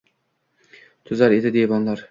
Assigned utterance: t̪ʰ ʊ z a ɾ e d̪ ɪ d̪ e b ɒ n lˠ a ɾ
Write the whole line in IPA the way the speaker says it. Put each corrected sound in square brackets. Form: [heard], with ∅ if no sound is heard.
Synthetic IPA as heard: t̪ʰ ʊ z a ɾ e d̪ ɪ d̪ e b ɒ n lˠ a ɾ